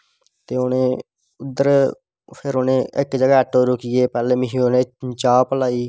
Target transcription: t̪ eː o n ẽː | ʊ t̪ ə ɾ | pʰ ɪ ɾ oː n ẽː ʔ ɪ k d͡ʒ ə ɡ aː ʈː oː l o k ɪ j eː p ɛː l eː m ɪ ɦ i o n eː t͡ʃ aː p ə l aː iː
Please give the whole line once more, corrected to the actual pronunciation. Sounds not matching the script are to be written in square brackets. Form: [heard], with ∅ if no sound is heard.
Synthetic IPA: t̪ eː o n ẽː | ʊ [d̪] ə ɾ | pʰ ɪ ɾ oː n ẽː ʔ ɪ k d͡ʒ ə ɡ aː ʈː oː [ɾ] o k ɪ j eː p ɛː l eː m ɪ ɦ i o n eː t͡ʃ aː p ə l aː iː